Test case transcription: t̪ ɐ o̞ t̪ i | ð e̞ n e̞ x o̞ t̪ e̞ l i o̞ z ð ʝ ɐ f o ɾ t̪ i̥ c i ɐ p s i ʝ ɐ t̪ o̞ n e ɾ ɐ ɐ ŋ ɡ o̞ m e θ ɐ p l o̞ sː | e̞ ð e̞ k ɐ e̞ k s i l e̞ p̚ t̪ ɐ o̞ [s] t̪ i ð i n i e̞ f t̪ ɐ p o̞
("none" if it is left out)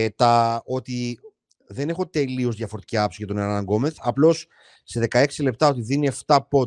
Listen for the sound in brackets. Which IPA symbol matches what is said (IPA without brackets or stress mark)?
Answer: none